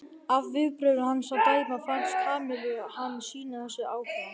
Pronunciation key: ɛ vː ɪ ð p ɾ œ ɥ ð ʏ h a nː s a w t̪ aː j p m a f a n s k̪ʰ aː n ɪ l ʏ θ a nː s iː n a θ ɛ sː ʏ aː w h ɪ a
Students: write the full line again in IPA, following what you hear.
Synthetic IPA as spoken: a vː ɪ ð p ɾ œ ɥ ð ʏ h a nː s a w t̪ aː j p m a f a n s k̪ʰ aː m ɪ l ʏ h a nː s iː n a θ ɛ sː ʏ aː w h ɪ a